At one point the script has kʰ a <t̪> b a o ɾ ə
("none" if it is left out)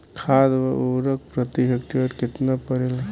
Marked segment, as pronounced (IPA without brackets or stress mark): d̪